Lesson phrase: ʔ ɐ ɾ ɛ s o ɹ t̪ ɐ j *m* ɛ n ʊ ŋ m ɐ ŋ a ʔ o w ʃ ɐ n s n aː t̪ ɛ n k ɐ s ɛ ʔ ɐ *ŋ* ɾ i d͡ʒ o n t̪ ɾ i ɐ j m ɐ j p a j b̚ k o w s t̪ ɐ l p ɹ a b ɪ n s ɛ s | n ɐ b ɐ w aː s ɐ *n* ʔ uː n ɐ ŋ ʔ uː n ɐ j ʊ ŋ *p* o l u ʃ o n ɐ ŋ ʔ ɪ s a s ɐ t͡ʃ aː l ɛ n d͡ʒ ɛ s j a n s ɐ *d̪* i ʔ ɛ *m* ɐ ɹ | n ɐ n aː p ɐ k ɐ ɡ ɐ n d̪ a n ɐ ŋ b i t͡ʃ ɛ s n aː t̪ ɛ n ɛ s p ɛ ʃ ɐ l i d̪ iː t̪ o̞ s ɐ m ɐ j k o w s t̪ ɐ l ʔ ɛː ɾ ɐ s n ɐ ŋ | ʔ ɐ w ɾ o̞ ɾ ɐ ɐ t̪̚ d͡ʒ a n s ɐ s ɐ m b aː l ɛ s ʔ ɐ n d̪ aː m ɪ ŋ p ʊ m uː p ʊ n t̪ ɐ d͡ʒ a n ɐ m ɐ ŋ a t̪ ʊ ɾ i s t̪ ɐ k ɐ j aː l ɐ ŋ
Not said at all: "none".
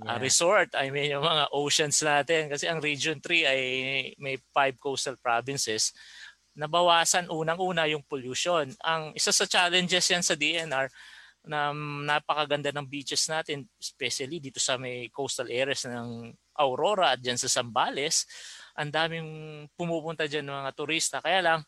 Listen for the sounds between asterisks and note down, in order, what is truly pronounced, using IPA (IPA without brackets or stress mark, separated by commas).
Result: m, ŋ, n, p, d̪, n